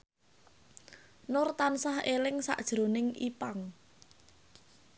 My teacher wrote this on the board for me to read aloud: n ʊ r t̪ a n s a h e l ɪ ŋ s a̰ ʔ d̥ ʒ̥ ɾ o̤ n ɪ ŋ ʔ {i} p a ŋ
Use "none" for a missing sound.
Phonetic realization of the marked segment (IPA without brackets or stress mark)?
i